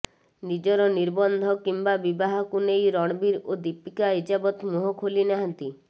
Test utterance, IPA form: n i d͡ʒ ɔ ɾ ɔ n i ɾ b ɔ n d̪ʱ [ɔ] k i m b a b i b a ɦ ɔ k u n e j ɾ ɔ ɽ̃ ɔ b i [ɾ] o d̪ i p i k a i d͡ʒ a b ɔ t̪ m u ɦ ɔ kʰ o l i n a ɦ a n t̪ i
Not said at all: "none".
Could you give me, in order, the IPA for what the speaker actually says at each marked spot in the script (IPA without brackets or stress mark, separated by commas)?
ɔ, ɾ